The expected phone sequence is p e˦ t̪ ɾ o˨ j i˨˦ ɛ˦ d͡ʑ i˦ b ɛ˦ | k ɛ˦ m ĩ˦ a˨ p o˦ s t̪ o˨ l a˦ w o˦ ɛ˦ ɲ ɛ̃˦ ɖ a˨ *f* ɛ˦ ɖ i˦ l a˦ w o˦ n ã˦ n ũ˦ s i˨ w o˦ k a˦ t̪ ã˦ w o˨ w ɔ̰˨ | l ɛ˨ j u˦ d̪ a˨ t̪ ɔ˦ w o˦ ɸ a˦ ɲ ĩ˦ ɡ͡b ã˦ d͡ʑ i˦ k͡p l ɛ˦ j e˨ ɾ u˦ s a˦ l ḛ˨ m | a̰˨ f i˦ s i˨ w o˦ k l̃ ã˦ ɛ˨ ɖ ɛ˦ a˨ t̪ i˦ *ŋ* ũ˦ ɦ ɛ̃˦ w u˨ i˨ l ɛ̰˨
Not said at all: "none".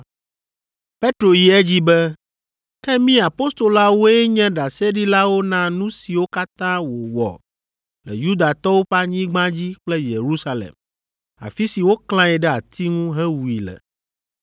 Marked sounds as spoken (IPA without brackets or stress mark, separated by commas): s, ŋ